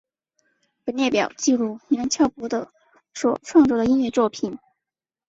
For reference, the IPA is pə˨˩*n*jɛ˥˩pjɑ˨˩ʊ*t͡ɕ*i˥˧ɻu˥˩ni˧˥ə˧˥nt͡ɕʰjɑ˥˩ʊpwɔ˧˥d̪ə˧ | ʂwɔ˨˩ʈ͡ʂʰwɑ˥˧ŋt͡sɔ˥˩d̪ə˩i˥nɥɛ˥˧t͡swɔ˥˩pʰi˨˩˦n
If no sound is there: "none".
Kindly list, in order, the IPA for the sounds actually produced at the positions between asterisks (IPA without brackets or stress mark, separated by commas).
n, t͡ɕ